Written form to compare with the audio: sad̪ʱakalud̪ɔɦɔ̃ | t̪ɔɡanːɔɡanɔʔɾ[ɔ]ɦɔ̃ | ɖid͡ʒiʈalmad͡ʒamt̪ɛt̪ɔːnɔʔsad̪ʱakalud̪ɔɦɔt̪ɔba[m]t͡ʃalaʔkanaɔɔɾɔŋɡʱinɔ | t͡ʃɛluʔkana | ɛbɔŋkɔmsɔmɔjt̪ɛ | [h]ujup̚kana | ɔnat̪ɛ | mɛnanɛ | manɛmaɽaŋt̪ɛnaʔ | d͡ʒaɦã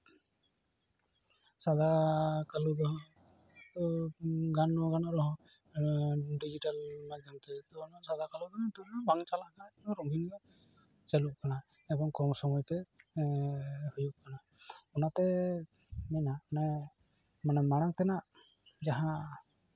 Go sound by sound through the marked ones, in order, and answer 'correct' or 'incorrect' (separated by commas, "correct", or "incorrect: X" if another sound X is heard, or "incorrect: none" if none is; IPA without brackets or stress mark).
correct, incorrect: ŋ, correct